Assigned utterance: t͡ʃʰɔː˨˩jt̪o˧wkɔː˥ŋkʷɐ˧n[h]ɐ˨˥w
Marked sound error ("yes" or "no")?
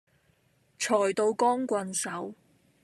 yes